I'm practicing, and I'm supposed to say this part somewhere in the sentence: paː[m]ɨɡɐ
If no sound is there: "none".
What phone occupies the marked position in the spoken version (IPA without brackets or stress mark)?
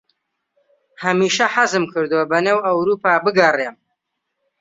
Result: b